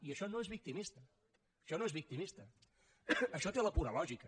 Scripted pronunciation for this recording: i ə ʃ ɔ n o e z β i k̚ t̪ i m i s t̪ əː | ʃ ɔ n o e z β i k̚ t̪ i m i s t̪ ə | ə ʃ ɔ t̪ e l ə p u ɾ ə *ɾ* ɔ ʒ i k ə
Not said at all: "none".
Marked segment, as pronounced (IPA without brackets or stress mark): l